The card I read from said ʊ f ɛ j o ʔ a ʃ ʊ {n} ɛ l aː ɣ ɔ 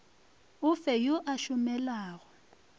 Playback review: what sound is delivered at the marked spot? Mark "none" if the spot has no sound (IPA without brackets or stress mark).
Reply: m